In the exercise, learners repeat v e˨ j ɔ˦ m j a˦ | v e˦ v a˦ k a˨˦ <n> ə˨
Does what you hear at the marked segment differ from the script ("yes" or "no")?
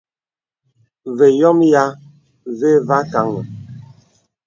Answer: yes